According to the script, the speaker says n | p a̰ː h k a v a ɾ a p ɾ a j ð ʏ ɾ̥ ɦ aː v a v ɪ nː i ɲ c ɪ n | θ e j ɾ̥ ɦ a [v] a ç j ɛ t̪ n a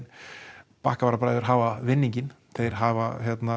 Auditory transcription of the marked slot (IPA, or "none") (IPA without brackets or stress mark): v